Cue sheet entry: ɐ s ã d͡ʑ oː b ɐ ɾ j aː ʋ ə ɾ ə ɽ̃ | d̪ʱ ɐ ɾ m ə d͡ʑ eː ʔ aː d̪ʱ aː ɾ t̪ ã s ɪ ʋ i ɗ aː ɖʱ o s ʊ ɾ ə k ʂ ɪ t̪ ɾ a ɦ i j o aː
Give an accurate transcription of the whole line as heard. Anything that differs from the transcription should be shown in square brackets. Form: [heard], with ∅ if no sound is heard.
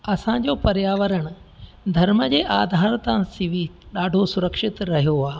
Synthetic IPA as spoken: ɐ s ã d͡ʑ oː [p] ɐ ɾ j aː ʋ ə ɾ ə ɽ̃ | d̪ʱ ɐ ɾ m ə d͡ʑ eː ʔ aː d̪ʱ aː ɾ t̪ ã s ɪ ʋ i ɗ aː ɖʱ o s ʊ ɾ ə k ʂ ɪ t̪ ɾ [ɐ] ɦ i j o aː